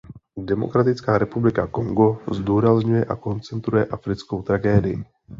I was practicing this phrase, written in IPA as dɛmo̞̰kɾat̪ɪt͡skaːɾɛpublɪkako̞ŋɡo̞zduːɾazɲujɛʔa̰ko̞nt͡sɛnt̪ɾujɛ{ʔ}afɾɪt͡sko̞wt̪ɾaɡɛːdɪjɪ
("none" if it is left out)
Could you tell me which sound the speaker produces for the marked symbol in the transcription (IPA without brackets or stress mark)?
ʔ